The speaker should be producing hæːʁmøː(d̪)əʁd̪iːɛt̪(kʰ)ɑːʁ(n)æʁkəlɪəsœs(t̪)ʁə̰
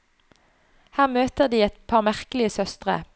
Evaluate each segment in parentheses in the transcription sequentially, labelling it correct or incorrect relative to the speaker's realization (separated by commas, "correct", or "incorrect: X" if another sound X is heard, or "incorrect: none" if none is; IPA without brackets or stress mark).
incorrect: t̪, incorrect: pʰ, incorrect: m, correct